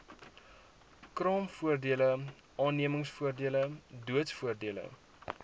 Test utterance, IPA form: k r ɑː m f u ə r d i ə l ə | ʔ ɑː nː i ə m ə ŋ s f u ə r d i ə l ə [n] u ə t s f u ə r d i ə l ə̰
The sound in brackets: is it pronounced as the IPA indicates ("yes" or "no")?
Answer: no